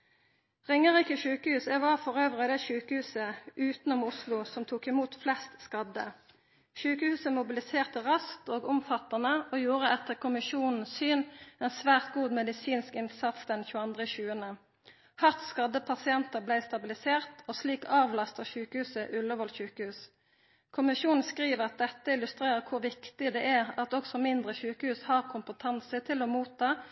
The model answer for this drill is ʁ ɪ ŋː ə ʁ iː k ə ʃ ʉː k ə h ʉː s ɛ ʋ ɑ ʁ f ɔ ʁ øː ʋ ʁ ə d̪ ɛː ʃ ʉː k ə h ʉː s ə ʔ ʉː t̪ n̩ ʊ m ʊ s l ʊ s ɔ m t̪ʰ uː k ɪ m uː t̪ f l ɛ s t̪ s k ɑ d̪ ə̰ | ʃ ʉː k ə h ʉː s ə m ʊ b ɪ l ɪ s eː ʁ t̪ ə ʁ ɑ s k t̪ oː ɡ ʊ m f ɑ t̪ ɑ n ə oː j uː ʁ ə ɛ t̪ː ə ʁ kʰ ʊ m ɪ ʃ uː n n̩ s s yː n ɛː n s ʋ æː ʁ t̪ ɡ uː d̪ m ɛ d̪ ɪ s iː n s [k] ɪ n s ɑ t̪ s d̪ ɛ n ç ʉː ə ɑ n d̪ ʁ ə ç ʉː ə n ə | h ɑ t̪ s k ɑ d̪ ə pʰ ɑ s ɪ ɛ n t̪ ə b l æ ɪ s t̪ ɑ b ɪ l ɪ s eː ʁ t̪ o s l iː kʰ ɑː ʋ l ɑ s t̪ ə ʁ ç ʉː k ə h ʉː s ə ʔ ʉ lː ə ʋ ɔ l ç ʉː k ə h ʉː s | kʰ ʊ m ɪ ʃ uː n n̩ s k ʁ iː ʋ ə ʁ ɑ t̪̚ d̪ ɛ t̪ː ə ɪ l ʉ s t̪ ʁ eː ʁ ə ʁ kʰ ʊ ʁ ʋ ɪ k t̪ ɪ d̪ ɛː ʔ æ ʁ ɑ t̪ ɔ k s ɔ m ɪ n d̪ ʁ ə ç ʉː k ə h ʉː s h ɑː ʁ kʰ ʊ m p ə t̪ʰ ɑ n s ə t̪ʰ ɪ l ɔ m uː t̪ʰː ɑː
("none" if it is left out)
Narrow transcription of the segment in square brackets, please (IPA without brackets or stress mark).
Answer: k